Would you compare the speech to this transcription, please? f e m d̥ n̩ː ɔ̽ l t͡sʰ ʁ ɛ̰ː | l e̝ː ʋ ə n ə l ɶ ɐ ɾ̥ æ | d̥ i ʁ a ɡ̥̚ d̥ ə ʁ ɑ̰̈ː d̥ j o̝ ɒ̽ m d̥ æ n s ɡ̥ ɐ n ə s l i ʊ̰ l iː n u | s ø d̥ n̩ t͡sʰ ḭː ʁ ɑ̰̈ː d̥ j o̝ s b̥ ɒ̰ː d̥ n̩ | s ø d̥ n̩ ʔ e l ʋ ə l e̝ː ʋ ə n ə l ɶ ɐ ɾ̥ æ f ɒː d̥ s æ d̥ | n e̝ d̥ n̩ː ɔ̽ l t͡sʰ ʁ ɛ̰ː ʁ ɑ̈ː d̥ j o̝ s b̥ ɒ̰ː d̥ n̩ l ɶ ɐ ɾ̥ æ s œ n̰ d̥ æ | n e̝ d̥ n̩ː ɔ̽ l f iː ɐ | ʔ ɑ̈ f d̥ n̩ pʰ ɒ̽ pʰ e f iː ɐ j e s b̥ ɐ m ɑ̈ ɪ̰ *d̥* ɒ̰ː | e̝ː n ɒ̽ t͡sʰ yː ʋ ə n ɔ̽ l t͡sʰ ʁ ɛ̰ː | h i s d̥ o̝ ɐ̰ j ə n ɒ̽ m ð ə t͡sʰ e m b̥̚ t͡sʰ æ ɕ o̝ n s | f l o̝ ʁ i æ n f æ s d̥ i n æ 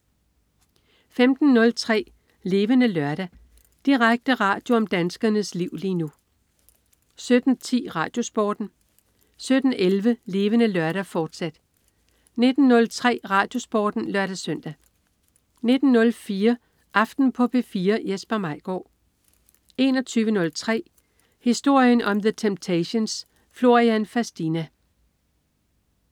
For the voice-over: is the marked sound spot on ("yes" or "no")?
no